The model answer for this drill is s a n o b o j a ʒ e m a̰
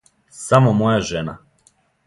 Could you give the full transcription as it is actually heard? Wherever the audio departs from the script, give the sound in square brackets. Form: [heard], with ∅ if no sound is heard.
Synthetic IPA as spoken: s a [m] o [m] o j a ʒ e [n] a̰

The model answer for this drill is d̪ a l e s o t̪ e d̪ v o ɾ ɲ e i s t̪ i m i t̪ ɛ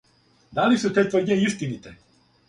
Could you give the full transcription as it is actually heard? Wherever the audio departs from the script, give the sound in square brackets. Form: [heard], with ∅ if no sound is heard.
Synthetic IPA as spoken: d̪ a l [i] s [u] t̪ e [t̪] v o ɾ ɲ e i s t̪ i [n] i t̪ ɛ

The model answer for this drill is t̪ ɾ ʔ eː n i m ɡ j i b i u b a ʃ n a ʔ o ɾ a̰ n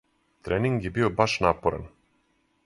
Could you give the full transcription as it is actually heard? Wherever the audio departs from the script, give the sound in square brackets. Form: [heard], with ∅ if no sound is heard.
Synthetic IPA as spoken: t̪ ɾ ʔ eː n i [ŋ] ɡ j [e] b i [o] b a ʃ n a [p] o ɾ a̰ n

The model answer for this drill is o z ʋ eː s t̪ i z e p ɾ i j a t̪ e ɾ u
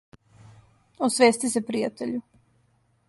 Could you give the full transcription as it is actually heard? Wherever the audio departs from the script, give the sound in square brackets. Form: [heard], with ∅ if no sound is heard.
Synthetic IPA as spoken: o [s] ʋ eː s t̪ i [s] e p ɾ i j a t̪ e [ʎ] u

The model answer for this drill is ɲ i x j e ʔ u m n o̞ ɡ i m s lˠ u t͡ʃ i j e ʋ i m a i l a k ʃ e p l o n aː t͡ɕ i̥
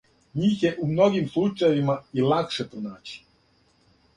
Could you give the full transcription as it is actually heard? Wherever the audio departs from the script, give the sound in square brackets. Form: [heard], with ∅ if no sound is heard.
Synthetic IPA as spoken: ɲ [iː] x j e ʔ u m n o̞ ɡ i m s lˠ u t͡ʃ [a] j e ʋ i m a i l a k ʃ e p [ɾ] o n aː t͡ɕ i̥

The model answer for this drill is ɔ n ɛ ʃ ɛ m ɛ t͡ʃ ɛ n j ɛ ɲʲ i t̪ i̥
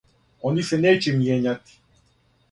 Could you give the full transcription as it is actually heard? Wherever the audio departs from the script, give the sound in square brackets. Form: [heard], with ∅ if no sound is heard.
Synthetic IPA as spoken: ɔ n [i] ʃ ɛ [n] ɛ t͡ʃ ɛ [m] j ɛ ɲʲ [a] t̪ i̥

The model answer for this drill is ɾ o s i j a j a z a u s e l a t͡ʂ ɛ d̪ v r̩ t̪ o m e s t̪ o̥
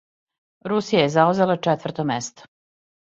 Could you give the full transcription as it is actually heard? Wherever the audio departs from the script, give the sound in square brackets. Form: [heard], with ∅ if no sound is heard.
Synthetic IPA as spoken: ɾ [u] s i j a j [e] z a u [z] e l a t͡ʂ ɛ [t̪] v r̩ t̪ o m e s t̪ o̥

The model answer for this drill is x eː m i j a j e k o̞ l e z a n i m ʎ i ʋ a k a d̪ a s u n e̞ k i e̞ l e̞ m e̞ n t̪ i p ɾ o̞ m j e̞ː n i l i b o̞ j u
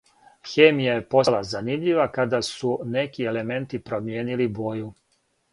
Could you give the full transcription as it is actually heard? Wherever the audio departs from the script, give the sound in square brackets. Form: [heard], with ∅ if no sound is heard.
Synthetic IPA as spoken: x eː m i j a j e [p] o̞ l [a] z a n i m ʎ i ʋ a k a d̪ a s u n e̞ k i e̞ l e̞ m e̞ n t̪ i p ɾ o̞ m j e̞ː n i l i b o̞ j u

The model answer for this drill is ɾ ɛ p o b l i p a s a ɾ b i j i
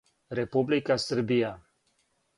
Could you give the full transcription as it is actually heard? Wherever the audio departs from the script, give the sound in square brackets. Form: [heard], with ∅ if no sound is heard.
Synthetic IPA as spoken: ɾ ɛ p [u] b l i [k] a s [ə] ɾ b i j [a]

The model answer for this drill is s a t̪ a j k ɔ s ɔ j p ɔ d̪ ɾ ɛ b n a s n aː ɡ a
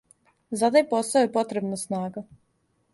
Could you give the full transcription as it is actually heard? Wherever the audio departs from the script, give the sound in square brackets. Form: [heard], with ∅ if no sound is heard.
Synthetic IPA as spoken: [z] a [d̪] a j [p] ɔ s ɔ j p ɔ [t̪] ɾ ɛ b n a s n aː ɡ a

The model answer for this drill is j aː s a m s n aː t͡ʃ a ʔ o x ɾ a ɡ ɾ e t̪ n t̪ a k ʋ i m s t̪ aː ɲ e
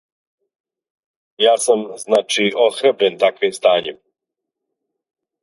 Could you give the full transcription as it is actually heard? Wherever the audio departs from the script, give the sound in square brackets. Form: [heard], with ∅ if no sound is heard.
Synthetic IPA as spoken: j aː s a m [z] n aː t͡ʃ [i] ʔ o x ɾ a [b] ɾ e [∅] n t̪ a k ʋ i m s t̪ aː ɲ e

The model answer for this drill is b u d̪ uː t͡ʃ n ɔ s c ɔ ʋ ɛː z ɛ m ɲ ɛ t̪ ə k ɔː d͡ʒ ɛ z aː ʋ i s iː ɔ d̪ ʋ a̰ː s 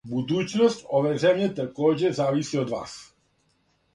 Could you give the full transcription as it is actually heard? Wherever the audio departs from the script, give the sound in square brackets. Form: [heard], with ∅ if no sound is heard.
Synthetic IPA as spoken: b u d̪ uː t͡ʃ n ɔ s c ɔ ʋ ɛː z ɛ m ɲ ɛ t̪ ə k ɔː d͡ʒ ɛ z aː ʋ i s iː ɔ d̪ ʋ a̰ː s

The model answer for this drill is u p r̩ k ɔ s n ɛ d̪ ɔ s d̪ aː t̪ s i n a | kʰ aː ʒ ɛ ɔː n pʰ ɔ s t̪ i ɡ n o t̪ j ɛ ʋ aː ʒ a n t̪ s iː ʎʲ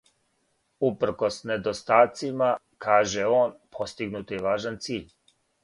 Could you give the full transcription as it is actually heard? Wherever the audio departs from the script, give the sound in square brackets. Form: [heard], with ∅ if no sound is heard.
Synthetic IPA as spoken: u p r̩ k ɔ s n ɛ d̪ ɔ s [t̪] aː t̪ s i [m] a | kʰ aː ʒ ɛ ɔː n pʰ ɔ s t̪ i ɡ n [u] t̪ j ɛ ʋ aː ʒ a n t̪ s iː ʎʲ

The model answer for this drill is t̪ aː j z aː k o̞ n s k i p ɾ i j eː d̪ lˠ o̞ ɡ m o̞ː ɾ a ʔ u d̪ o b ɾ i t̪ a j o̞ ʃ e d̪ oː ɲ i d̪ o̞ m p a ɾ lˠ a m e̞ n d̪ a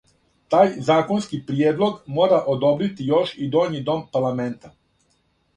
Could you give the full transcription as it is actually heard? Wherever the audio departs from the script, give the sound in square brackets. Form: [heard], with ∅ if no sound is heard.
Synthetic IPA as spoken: t̪ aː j z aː k o̞ n s k i p ɾ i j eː d̪ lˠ o̞ ɡ m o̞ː ɾ a ʔ [o] d̪ o b ɾ i t̪ [i] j o̞ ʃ [i] d̪ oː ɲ i d̪ o̞ m p a ɾ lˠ a m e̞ n [t̪] a

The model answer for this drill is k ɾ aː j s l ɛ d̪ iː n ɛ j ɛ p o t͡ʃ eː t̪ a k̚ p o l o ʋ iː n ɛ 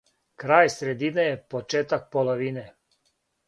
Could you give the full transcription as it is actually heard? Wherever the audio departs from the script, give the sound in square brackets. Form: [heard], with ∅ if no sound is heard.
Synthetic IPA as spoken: k ɾ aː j s [ɾ] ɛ d̪ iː n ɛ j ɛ p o t͡ʃ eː t̪ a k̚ p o l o ʋ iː n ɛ

